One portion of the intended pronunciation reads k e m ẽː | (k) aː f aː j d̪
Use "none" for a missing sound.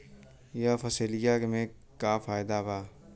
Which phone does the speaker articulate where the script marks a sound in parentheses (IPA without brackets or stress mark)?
k